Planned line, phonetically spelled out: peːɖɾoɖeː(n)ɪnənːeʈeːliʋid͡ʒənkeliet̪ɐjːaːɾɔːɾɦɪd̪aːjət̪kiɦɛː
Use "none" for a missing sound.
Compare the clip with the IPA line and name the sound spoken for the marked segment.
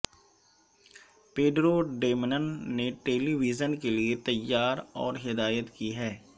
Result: m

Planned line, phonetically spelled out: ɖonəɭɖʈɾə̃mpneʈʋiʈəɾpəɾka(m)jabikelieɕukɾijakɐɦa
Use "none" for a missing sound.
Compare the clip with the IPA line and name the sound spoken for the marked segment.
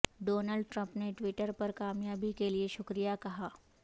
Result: m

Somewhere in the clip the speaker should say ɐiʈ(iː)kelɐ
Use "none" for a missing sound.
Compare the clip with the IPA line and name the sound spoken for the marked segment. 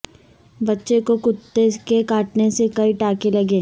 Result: aː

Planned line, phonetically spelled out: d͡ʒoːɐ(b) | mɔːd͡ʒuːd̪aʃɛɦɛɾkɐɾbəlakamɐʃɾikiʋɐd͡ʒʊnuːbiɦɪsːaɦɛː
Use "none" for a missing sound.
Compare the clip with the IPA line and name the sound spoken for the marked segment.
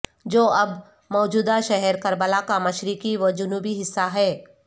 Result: b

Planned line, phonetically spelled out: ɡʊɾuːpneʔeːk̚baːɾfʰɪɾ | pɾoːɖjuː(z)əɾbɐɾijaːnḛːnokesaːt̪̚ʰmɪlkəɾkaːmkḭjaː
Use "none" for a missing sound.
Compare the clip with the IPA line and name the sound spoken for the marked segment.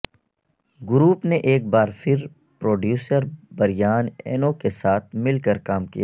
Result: s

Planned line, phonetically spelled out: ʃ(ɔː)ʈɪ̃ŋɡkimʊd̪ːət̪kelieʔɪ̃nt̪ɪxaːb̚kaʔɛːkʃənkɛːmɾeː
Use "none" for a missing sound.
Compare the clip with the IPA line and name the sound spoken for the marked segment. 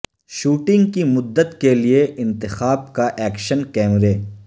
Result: uː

